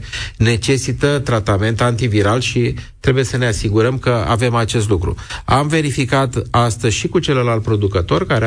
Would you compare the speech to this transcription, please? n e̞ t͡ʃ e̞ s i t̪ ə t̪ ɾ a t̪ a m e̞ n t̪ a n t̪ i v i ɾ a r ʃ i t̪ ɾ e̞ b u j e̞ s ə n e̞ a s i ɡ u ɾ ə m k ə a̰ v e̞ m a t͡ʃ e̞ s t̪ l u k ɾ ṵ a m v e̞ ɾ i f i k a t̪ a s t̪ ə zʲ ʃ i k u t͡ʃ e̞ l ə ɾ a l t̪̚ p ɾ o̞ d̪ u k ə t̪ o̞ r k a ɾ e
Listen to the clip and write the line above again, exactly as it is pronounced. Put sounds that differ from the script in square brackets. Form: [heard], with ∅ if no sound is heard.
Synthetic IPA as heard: n e̞ t͡ʃ e̞ s i t̪ ə t̪ ɾ a t̪ a m e̞ n t̪ a n t̪ i v i ɾ a [l] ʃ i t̪ ɾ e̞ b u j e̞ s ə n e̞ a s i ɡ u ɾ ə m k ə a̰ v e̞ m a t͡ʃ e̞ s t̪ l u k ɾ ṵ a m v e̞ ɾ i f i k a t̪ a s t̪ ə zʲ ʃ i k u t͡ʃ e̞ l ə [l] a l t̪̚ p ɾ o̞ d̪ u k ə t̪ o̞ r k a ɾ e